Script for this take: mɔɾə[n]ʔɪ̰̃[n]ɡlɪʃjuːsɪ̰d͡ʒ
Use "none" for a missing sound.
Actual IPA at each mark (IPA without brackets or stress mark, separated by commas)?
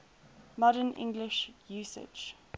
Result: n, ŋ